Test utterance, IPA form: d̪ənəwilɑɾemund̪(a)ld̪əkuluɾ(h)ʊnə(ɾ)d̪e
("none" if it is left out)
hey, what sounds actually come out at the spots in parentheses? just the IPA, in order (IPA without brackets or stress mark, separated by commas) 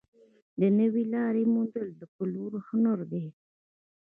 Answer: ə, h, ɾ